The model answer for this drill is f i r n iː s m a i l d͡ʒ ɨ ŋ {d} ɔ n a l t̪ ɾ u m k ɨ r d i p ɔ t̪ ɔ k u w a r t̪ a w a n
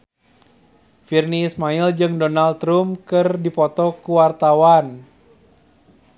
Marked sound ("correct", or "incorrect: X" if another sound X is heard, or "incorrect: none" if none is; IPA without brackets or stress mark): correct